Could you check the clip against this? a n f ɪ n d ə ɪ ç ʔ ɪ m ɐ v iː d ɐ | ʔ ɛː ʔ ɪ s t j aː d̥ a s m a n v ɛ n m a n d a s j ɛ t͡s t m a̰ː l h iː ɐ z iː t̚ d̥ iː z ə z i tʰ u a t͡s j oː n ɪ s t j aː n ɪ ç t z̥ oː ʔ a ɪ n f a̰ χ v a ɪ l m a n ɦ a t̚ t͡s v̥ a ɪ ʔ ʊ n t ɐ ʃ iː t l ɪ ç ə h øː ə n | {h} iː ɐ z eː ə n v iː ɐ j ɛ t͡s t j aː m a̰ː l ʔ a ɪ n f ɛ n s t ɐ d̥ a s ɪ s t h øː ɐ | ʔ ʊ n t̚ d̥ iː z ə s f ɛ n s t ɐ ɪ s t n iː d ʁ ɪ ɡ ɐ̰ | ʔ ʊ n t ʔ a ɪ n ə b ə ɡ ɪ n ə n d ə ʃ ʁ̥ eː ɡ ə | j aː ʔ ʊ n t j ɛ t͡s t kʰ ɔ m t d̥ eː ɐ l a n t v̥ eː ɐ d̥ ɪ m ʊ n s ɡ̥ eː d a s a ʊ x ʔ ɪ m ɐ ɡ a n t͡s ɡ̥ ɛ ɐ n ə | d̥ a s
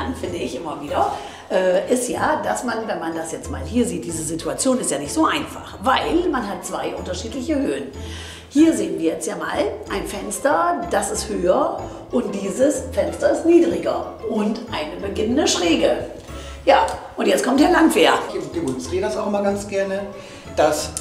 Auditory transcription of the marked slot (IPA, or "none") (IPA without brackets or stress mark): h